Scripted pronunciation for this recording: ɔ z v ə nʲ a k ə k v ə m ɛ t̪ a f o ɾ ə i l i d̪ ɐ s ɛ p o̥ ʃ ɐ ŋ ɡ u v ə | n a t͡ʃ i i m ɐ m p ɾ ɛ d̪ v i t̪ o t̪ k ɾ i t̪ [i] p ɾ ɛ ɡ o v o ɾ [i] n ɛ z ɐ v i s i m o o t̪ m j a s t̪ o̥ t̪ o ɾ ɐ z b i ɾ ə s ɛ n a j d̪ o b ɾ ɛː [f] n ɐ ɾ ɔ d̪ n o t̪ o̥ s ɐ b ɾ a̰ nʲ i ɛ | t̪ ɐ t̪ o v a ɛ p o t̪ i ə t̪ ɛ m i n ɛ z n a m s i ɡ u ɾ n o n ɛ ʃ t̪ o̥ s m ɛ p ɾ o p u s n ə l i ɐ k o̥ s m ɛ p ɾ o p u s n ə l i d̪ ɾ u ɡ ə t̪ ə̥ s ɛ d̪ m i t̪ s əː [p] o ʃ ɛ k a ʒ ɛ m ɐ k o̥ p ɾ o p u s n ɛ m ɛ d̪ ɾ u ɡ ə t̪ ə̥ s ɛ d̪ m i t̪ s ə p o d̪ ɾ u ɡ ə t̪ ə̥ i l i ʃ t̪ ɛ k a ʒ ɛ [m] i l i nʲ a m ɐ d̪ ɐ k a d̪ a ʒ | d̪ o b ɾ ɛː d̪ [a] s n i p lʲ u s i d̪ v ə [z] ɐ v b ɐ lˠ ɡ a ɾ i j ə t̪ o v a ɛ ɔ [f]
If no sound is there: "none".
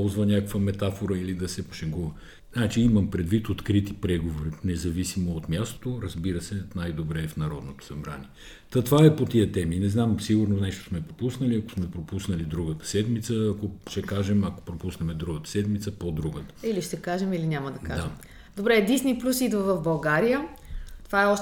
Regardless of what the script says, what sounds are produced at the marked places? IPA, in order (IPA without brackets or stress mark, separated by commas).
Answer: i, i, f, k, m, i, v, ʃ